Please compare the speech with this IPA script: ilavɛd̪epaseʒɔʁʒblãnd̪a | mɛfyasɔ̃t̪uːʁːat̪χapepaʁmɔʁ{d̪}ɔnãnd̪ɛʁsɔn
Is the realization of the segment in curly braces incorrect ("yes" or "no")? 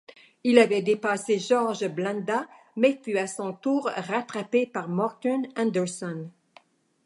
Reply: yes